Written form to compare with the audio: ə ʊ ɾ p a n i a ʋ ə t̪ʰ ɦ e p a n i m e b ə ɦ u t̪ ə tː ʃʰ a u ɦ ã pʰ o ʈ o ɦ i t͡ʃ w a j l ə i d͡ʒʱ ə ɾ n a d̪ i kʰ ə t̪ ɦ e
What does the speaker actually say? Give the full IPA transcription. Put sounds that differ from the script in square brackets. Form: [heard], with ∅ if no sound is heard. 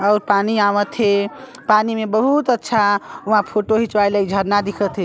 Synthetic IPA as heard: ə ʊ ɾ p a n i a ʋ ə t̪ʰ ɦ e p a n i m e b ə ɦ u t̪ ə tː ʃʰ a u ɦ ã pʰ o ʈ o ɦ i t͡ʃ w a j l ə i d͡ʒʱ ə ɾ n a d̪ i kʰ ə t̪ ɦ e